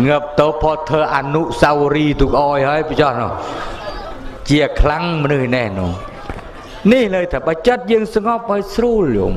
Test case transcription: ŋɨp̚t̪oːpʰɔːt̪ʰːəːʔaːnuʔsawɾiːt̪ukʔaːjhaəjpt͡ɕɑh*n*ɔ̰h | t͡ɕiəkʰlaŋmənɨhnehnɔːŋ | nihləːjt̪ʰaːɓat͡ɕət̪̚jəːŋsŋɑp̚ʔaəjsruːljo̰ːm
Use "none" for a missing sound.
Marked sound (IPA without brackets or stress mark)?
n